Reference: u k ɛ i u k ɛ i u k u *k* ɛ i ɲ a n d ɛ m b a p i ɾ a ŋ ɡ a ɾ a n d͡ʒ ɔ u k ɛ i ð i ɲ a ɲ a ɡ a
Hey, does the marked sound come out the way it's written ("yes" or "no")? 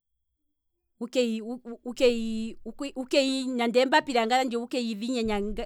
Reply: yes